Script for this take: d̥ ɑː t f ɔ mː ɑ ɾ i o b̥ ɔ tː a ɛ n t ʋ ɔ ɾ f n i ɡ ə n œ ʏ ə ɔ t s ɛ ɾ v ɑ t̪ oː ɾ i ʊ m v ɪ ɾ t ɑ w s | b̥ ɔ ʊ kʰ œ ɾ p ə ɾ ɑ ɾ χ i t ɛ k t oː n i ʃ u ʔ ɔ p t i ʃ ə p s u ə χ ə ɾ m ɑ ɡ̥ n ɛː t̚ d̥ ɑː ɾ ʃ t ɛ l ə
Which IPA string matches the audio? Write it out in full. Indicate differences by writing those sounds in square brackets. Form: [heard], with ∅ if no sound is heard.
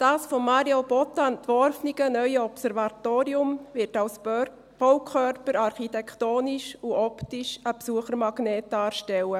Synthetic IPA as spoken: d̥ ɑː [s] f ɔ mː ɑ ɾ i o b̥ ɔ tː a ɛ n t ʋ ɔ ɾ f n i ɡ ə n œ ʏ ə ɔ [p] s ɛ ɾ v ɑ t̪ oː ɾ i ʊ m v ɪ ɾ t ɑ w s | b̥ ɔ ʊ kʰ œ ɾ p ə ɾ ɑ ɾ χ i t ɛ k t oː n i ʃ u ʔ ɔ p t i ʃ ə p s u ə χ ə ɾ m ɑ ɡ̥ n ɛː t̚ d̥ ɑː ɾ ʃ t ɛ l ə